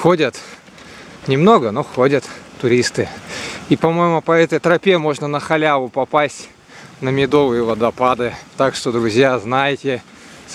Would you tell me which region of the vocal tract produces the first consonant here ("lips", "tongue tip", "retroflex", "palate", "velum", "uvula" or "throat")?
velum